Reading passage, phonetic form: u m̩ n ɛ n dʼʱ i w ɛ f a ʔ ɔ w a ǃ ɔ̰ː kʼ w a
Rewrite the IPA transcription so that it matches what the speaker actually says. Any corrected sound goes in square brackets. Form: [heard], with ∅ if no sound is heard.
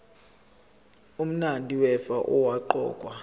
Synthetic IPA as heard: u m̩ n [a] n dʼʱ i w ɛ f a ʔ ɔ w a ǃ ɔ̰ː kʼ w a